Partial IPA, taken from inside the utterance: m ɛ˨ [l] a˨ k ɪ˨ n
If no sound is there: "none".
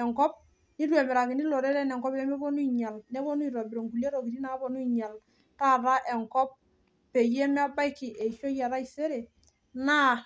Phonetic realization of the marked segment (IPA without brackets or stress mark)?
ɾ